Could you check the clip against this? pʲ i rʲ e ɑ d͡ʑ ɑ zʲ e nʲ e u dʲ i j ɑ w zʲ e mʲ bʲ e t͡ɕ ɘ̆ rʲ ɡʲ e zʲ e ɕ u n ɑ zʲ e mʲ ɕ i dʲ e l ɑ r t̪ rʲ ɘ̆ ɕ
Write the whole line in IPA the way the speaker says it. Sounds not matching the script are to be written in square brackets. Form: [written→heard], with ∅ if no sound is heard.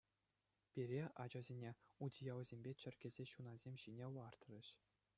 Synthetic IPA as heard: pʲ i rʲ e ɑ d͡ʑ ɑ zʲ e nʲ e u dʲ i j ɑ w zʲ e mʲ bʲ e t͡ɕ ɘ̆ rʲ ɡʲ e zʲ e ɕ u n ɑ zʲ e mʲ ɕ i [dʲ→nʲ] e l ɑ r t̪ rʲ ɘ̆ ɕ